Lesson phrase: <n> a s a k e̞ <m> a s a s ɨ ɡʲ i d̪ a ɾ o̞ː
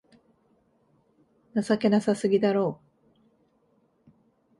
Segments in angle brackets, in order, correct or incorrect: correct, incorrect: n

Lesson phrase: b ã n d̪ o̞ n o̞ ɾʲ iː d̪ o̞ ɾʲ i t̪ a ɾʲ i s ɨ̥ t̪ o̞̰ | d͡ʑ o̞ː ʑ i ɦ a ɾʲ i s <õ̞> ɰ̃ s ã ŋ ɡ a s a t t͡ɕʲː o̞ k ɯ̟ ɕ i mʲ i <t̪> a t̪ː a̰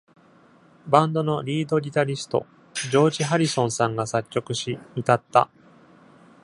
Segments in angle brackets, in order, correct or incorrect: correct, correct

